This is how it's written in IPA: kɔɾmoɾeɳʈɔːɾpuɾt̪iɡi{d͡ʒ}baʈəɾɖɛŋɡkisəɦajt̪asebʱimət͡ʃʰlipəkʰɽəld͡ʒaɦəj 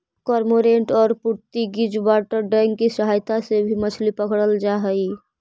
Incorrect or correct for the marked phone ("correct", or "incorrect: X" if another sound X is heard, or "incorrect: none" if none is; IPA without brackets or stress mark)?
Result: correct